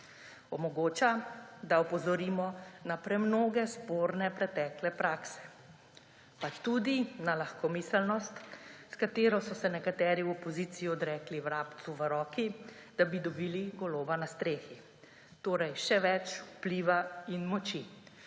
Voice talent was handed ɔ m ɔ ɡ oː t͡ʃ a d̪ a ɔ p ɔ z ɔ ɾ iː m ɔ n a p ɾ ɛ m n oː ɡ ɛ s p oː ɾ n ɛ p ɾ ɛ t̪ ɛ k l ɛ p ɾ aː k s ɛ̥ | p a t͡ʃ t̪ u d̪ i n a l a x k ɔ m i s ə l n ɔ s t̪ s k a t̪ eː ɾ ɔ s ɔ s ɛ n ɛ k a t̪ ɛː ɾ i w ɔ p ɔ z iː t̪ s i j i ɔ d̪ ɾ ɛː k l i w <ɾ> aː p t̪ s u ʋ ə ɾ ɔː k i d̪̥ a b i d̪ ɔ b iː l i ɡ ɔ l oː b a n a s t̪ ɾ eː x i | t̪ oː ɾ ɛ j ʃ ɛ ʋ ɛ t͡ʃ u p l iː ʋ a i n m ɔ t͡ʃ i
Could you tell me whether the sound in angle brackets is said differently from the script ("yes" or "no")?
no